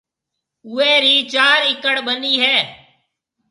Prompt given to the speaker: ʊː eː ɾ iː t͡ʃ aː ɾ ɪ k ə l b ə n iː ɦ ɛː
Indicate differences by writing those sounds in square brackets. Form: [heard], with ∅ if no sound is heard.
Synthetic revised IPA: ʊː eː ɾ iː t͡ʃ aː ɾ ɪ k ə [ɽ] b ə n iː ɦ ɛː